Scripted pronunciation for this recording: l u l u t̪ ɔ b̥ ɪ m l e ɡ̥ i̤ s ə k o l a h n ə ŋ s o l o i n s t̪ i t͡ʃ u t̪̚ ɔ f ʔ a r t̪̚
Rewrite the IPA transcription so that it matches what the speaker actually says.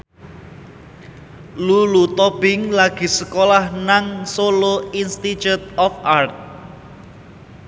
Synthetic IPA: l u l u t̪ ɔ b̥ ɪ ŋ l a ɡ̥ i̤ s ə k o l a h n a ŋ s o l o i n s t̪ i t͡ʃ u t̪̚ ɔ f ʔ a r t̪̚